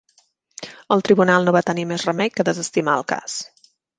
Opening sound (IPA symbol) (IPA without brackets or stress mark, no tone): ə